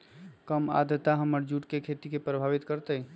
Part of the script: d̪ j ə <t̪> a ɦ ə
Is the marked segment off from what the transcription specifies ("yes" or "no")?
no